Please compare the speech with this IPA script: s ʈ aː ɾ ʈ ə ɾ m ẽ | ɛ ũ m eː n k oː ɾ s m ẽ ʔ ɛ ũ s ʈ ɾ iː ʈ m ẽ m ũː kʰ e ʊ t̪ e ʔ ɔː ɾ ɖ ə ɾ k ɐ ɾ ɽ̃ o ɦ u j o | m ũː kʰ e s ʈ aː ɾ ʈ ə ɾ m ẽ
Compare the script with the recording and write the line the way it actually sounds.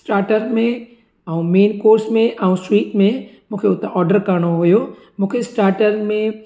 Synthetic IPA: s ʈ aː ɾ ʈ ə ɾ m ẽ | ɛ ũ m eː n k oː ɾ s m ẽ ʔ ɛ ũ s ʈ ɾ iː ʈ m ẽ m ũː kʰ e ʊ t̪ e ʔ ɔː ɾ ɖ ə ɾ k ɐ ɾ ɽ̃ o ɦ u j o | m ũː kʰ e s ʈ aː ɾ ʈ ə ɾ m ẽ